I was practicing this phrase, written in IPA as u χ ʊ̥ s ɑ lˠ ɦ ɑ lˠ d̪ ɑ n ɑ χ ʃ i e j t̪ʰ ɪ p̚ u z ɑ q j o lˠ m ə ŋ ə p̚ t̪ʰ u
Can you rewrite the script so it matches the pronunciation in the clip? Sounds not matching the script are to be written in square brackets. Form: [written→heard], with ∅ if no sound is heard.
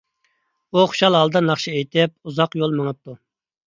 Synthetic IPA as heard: u χ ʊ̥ [s→ʃ] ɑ lˠ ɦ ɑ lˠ d̪ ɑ n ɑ χ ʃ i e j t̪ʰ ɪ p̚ u z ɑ q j o lˠ m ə ŋ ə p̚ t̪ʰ u

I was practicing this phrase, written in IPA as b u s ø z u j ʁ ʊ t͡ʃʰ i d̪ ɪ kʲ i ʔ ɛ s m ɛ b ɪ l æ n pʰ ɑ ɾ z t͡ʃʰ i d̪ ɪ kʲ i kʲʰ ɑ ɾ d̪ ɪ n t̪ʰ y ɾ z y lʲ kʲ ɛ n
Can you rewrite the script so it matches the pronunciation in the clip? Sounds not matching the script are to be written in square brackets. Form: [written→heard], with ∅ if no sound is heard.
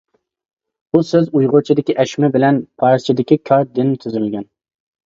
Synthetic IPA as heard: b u s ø z u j ʁ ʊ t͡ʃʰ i d̪ ɪ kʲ i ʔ ɛ [s→ʃ] m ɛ b ɪ l [æ→ɛ] n pʰ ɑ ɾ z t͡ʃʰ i d̪ ɪ kʲ i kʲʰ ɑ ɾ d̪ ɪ n t̪ʰ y [ɾ→∅] z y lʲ [kʲ→ɡʲ] ɛ n

